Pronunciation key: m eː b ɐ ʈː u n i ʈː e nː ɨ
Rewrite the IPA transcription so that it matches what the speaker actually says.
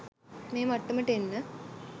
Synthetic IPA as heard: m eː m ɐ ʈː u m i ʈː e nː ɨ